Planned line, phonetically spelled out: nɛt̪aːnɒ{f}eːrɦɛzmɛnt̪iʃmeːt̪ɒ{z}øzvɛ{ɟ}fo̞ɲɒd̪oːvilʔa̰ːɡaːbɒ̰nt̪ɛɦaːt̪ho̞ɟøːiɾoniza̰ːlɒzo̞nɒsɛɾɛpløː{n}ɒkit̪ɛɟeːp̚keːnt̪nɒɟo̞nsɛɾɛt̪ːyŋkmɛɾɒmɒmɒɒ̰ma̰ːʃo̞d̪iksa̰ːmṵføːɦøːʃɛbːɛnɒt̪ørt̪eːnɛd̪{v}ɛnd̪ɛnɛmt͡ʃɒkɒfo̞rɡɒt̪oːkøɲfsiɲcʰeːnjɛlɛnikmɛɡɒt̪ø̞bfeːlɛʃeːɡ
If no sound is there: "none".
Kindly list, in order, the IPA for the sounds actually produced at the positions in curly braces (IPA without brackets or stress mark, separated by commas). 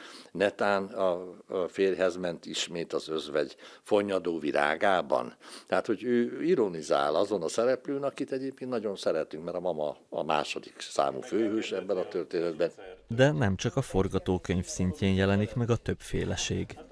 f, z, ɟ, n, b